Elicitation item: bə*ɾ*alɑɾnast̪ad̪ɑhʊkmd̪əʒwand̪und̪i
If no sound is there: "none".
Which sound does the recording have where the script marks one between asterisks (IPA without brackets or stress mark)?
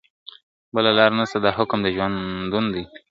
l